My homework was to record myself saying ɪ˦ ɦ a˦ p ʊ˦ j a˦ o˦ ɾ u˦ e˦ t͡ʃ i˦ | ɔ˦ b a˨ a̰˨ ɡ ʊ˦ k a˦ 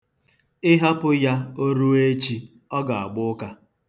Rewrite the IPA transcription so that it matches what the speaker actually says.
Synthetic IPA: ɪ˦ ɦ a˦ p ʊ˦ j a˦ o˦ ɾ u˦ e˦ t͡ʃ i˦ | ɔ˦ ɡ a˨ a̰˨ ɡ͡b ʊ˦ k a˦